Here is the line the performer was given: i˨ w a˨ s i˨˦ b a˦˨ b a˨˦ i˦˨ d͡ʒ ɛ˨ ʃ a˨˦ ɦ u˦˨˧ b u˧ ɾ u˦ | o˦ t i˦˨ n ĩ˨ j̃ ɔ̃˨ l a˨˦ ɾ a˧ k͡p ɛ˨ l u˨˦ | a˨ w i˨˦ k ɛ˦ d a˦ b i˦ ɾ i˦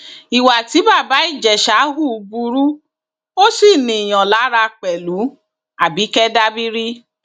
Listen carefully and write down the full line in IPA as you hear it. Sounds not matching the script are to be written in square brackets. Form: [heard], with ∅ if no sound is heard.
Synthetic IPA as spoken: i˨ w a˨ [t] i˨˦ b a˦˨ b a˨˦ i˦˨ d͡ʒ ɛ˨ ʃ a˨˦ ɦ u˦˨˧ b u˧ ɾ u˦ | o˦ [s] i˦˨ n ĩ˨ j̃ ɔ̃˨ l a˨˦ ɾ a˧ k͡p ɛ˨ l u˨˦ | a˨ [b] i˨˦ k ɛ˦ d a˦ b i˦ ɾ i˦